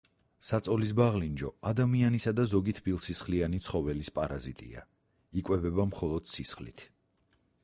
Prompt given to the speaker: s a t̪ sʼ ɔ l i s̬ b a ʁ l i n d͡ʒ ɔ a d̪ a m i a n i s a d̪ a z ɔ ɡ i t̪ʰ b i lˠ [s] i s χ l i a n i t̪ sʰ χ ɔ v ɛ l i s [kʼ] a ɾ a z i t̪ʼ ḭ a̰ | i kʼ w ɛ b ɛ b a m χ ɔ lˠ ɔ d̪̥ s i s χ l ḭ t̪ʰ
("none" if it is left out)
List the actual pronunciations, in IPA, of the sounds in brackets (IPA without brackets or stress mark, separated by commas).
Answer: s, pʼ